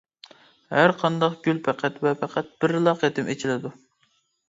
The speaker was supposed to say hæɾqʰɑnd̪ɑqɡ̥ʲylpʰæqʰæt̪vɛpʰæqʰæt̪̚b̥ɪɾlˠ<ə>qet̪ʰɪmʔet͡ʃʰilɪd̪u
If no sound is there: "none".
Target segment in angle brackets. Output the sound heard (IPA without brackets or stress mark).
ɑ